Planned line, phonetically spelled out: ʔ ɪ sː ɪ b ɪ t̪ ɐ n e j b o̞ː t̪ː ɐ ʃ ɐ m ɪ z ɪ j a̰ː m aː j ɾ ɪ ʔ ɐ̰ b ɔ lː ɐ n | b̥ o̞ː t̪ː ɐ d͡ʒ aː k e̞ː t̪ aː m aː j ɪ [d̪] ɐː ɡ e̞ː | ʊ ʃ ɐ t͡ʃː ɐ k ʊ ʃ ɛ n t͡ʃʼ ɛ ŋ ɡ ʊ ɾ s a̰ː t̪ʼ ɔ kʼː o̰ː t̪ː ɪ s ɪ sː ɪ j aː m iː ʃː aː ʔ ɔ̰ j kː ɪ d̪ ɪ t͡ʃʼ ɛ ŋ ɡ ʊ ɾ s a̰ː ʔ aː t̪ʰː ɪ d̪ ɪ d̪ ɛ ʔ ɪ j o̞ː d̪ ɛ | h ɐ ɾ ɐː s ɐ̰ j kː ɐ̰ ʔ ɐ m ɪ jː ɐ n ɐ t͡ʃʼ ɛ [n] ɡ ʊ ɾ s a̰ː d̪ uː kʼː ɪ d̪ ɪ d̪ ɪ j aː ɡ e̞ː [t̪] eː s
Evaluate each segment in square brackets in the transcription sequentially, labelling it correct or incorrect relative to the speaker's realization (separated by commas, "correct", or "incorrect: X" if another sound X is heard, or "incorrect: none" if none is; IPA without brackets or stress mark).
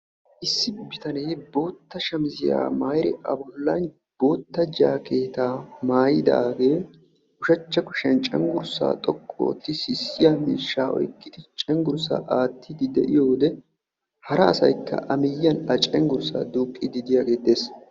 correct, incorrect: ŋ, incorrect: d̪